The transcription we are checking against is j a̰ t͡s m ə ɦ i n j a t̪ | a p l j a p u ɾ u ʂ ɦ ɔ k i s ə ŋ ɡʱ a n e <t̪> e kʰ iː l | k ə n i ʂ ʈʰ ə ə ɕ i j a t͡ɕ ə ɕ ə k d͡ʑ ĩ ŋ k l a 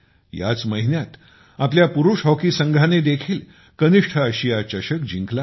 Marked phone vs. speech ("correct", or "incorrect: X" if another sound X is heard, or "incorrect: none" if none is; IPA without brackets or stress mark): incorrect: d̪